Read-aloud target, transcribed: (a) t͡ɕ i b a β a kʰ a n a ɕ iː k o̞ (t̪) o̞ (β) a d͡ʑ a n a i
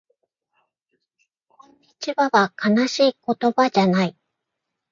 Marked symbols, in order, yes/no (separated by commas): no, yes, no